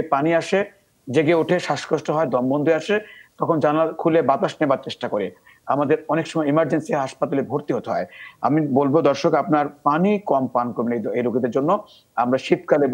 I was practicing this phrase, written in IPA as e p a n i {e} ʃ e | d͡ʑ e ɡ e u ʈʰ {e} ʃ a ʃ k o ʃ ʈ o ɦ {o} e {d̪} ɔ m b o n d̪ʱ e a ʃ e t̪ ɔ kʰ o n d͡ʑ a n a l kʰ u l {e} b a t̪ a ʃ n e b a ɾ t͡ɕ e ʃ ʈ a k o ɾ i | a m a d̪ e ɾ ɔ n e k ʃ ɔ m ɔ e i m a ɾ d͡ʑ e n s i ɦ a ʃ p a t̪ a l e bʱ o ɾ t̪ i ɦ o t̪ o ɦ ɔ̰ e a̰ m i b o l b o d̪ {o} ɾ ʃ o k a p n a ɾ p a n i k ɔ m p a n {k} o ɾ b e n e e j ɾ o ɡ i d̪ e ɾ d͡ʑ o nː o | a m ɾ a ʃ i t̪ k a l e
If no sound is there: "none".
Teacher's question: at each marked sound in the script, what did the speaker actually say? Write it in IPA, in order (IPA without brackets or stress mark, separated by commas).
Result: a, e, ɔ, d̪, e, ɔ, k